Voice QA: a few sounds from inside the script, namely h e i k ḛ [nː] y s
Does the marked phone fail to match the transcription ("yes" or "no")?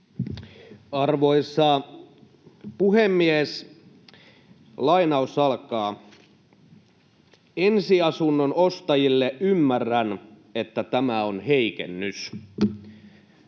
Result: no